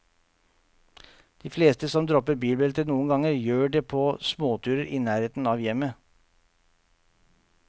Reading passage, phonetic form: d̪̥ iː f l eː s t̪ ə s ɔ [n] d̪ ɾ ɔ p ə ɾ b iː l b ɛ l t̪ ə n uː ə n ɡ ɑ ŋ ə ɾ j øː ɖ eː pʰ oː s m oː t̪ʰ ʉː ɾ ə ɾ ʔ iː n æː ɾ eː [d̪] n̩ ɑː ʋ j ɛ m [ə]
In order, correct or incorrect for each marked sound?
incorrect, incorrect, correct

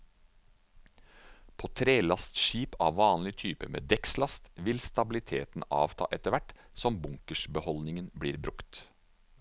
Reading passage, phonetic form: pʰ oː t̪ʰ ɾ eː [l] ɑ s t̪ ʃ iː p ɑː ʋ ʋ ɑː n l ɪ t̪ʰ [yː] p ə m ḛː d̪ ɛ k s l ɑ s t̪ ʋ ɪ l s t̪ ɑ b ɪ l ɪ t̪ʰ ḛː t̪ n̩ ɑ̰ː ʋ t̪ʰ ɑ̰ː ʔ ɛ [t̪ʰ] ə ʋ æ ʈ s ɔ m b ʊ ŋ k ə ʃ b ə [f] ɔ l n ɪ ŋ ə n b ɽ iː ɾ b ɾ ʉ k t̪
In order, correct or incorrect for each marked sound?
correct, correct, incorrect, incorrect

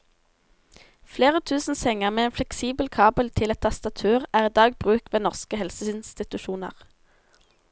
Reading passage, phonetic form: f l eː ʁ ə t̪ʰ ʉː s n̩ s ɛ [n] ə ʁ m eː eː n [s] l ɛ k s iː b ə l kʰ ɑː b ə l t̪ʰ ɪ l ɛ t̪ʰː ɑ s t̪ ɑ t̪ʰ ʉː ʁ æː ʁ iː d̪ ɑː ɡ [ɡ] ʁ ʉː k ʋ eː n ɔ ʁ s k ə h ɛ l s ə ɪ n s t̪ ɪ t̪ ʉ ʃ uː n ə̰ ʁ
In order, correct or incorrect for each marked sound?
incorrect, incorrect, incorrect

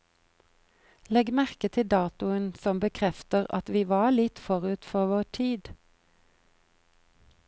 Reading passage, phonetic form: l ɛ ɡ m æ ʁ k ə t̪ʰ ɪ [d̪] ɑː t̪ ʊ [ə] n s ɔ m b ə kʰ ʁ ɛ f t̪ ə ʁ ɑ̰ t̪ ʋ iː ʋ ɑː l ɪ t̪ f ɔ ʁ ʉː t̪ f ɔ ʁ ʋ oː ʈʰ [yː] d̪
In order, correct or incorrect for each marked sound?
correct, correct, incorrect

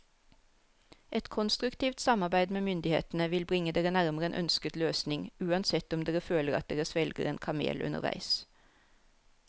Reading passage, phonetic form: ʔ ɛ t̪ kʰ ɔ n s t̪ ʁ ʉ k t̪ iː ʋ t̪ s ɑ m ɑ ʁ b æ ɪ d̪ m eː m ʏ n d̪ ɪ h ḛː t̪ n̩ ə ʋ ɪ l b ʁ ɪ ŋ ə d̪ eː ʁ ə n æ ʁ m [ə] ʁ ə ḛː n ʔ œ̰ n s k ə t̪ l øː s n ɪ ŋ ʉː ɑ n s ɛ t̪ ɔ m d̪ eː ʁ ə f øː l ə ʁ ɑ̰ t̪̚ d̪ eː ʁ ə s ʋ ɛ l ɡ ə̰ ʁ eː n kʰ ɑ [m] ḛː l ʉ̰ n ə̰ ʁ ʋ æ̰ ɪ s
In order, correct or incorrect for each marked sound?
correct, correct

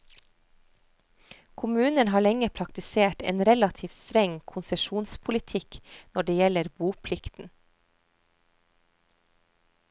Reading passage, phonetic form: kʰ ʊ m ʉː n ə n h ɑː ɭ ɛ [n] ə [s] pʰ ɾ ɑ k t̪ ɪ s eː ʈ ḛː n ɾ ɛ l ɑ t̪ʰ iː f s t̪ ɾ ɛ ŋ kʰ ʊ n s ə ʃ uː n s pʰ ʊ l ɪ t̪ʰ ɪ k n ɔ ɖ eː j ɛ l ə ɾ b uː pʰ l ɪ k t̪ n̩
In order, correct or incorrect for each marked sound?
incorrect, incorrect

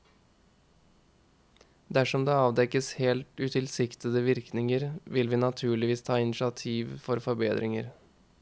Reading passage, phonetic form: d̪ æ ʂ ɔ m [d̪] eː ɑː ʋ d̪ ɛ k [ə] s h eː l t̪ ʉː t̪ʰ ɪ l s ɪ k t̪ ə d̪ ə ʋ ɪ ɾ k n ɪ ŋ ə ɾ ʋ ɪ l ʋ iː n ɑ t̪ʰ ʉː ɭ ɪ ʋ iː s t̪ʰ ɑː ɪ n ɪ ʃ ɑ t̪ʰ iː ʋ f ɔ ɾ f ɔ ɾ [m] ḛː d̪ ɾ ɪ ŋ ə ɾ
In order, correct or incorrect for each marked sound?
correct, correct, incorrect

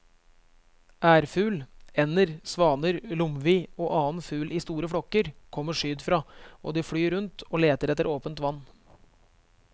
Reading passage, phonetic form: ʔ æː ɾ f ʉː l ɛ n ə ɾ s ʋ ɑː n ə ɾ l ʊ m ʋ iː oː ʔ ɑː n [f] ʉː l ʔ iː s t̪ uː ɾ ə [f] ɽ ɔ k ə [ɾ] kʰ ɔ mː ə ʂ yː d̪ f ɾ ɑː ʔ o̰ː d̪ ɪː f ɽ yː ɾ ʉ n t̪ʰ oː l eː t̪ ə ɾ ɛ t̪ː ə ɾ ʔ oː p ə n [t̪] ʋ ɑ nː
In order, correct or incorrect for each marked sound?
correct, correct, correct, correct

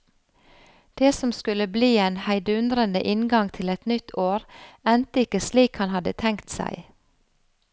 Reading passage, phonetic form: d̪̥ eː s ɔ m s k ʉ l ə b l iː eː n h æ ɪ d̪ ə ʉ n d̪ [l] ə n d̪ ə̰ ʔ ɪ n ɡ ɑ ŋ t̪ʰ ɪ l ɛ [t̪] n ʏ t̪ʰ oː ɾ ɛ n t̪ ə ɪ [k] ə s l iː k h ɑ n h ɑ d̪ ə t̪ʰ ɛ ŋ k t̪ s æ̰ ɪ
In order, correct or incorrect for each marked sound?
incorrect, correct, correct

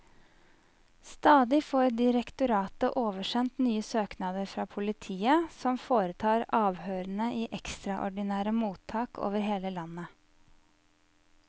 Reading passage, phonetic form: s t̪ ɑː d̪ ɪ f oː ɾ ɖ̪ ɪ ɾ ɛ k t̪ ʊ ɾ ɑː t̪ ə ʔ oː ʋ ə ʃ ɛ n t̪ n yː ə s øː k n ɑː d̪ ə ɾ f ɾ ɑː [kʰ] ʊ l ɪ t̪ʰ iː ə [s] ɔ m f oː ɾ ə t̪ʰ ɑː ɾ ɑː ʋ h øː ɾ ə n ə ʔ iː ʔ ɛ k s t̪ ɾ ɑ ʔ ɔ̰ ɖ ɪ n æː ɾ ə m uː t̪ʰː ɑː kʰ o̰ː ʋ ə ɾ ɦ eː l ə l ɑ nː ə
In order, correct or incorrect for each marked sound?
incorrect, correct

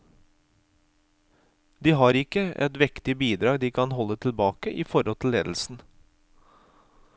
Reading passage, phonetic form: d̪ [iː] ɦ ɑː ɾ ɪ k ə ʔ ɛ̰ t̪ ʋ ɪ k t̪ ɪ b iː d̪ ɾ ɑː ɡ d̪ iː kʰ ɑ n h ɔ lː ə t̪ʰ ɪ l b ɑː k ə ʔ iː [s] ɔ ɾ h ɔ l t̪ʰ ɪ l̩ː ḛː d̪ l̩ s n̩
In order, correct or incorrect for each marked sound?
correct, incorrect

